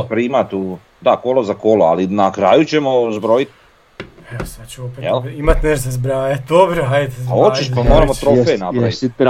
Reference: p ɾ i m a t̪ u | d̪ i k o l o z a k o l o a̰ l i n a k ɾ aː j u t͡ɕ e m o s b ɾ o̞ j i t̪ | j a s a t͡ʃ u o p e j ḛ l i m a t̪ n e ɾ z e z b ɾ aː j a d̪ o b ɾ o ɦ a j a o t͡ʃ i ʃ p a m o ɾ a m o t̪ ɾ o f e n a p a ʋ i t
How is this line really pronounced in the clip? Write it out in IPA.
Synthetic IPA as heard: p ɾ i m a t̪ u | d̪ a k o l o z a k o l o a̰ l i n a k ɾ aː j u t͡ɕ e m o z b ɾ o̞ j i t̪ | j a s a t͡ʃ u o p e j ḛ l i m a t̪ n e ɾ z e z b ɾ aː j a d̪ o b ɾ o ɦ a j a o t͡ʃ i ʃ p a m o ɾ a m o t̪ ɾ o f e n a p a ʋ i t